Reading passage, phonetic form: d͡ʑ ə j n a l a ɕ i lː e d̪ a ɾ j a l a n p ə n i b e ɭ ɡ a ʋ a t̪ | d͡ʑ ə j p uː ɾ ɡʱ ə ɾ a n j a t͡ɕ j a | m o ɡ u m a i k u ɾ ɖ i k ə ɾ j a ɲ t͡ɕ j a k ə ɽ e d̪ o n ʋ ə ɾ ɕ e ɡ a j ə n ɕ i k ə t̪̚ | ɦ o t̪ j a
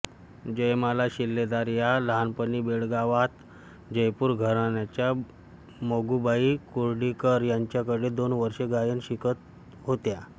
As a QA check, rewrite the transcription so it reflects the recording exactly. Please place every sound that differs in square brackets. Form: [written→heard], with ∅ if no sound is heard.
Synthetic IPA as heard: d͡ʑ ə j [n→m] a l a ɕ i lː e d̪ a ɾ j a l a n p ə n i b e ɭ ɡ a ʋ a t̪ | d͡ʑ ə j p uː ɾ ɡʱ ə ɾ a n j a t͡ɕ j a | m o ɡ u [m→b] a i k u ɾ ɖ i k ə ɾ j a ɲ t͡ɕ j a k ə ɽ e d̪ o n ʋ ə ɾ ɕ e ɡ a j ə n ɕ i k ə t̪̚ | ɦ o t̪ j a